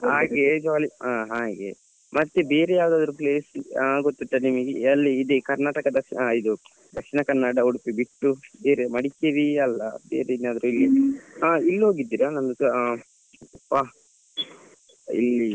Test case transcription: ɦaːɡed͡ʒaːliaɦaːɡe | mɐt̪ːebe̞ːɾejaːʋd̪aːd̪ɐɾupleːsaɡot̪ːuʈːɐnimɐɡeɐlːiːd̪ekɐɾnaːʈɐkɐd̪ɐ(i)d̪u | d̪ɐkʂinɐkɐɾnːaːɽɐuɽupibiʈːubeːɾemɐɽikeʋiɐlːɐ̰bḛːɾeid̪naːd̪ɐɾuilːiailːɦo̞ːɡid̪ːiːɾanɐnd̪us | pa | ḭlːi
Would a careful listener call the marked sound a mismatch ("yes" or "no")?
no